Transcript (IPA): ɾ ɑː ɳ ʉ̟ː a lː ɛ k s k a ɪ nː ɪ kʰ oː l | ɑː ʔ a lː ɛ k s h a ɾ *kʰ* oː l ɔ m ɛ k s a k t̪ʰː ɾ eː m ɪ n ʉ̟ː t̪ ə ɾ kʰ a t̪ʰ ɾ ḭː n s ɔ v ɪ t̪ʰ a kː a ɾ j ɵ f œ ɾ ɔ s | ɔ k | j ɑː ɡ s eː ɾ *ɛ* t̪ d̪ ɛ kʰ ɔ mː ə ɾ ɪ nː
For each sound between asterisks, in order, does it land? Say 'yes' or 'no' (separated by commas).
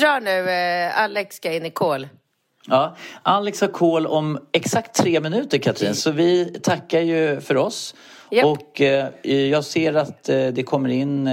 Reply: yes, no